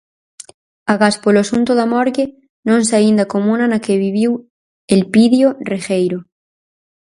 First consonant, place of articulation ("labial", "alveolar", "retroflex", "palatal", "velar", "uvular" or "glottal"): velar